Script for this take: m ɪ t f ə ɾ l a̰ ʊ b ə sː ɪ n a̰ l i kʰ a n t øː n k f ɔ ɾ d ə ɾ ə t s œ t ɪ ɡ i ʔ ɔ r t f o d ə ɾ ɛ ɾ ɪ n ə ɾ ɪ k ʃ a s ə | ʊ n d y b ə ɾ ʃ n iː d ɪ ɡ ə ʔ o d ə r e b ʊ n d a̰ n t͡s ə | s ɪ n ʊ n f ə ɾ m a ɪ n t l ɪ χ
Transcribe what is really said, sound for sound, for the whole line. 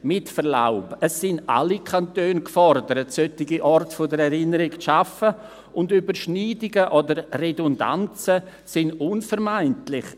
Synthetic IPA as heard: m ɪ t f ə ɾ l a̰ ʊ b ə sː ɪ n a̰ l i kʰ a n t øː n k f ɔ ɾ d ə ɾ ə t s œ t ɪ ɡ i ʔ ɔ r t f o d ə ɾ ɛ ɾ ɪ n ə ɾ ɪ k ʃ a f ə | ʊ n d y b ə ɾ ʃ n iː d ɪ ɡ ə ʔ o d ə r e d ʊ n d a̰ n t͡s ə | s ɪ n ʊ n f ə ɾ m a ɪ n t l ɪ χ